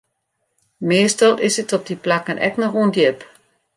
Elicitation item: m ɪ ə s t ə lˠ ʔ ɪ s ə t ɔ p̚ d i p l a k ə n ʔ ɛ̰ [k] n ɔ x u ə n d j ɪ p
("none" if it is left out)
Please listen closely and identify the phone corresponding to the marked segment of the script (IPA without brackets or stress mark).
k